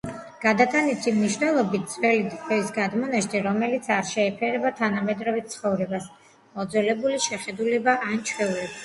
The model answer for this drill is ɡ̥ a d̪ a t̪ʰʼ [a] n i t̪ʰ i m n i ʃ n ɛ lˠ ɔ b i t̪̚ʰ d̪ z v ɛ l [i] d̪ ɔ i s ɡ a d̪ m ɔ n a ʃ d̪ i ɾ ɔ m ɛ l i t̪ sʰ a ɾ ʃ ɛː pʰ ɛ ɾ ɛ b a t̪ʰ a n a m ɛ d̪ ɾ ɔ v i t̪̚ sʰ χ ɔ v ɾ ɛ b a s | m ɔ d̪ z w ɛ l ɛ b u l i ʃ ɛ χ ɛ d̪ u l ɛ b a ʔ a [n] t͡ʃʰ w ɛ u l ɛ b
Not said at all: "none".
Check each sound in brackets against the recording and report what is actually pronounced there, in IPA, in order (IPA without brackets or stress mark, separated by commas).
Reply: a, i, n